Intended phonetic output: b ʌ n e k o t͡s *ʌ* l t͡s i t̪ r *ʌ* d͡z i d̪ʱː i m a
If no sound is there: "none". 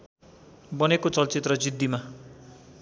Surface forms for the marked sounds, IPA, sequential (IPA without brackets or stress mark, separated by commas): ʌ, ʌ